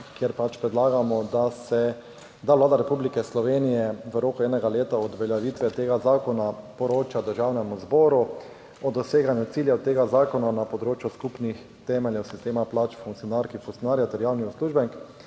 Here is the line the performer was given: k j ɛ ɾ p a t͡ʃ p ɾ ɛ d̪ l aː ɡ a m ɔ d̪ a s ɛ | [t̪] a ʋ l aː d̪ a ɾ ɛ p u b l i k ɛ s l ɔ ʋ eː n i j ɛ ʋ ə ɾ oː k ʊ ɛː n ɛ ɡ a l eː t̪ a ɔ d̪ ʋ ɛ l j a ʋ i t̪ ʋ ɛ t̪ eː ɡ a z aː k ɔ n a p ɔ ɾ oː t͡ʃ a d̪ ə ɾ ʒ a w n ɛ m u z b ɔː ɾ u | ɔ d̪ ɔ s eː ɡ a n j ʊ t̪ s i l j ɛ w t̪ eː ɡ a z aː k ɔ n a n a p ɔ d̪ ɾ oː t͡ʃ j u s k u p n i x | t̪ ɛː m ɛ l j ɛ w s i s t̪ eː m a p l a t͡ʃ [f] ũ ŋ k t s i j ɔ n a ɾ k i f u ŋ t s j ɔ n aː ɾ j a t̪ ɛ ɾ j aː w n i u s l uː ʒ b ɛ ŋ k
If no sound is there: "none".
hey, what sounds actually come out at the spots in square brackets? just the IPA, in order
d̪, f

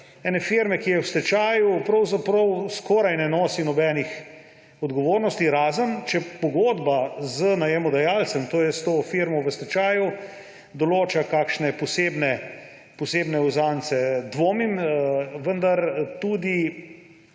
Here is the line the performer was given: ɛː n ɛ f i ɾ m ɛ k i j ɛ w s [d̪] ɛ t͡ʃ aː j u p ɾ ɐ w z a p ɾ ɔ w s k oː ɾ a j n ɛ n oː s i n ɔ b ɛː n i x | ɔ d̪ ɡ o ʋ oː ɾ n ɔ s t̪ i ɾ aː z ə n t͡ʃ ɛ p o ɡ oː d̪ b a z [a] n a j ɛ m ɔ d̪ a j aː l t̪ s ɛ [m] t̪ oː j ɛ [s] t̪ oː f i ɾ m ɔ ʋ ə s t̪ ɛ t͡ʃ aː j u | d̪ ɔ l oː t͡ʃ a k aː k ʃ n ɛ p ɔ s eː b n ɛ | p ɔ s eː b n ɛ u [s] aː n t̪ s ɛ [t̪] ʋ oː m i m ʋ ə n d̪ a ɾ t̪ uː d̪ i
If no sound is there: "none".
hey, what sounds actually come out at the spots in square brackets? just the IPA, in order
t̪, ə, m, s, z, d̪

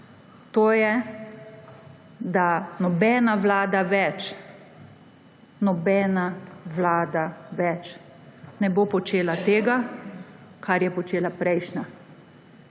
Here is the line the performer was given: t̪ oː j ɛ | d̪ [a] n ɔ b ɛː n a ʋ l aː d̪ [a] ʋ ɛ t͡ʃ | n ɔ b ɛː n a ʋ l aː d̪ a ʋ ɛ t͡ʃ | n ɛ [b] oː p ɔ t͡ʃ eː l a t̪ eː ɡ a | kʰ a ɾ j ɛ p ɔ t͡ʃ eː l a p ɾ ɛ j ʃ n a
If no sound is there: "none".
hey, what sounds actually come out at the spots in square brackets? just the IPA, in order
a, a, b

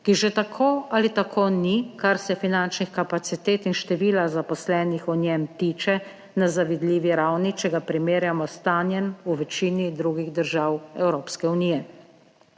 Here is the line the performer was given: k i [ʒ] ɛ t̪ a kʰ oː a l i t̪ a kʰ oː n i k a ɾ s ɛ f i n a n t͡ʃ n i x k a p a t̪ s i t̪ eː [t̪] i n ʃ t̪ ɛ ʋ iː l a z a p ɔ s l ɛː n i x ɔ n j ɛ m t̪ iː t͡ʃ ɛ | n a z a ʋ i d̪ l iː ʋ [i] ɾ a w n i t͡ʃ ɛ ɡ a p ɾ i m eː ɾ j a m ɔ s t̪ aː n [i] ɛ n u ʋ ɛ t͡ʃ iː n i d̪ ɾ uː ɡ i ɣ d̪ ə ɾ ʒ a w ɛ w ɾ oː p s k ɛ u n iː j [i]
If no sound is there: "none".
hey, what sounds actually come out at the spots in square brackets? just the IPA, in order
ʒ, t̪, i, j, ɛ

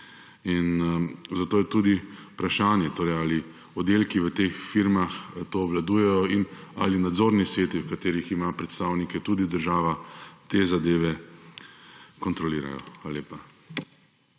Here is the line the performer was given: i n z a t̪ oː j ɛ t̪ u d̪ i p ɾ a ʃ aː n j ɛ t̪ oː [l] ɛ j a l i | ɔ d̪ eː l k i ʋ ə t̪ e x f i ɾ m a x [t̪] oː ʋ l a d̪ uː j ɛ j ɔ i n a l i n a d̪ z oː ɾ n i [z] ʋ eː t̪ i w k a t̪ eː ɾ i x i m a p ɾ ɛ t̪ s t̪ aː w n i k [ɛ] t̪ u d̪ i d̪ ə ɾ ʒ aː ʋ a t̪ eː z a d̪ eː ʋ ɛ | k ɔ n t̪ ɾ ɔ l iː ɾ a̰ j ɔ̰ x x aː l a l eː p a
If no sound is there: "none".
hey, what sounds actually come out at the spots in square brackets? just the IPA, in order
ɾ, t̪, s, ɛ

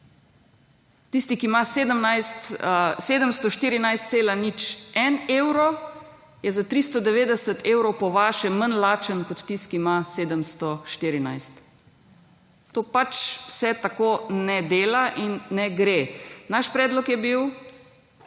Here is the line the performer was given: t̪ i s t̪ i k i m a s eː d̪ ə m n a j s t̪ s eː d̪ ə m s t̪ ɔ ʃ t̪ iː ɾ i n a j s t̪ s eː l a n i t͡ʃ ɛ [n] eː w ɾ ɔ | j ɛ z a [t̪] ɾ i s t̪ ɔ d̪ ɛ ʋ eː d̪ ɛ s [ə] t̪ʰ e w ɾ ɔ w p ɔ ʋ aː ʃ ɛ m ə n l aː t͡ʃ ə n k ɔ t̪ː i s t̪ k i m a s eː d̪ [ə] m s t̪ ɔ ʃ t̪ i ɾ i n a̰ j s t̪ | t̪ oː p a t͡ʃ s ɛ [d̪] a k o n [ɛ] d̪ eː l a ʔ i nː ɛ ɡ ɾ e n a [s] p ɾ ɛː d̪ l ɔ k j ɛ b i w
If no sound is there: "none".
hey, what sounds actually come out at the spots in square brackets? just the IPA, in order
n, t̪, ə, ə, t̪, ɛ, ʃ

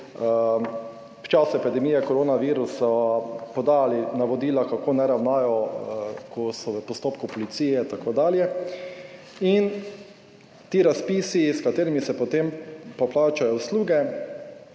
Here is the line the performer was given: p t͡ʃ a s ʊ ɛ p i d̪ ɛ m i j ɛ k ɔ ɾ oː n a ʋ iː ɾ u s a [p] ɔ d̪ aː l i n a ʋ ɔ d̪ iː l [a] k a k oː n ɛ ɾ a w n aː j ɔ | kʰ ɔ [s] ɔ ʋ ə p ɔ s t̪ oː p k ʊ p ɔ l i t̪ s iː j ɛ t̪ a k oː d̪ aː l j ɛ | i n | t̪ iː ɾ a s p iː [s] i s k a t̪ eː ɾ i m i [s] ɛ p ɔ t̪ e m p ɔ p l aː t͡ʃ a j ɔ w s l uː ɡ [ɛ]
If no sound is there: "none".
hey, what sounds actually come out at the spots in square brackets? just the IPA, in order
p, a, s, s, s, ɛ

